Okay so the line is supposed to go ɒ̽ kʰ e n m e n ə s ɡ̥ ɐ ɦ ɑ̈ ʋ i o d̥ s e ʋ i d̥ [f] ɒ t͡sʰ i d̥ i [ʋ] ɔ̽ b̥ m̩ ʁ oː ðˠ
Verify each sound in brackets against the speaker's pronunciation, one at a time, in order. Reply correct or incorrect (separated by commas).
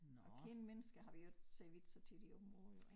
incorrect, incorrect